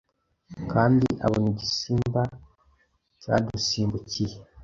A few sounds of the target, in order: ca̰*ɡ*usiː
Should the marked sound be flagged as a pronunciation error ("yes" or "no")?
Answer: yes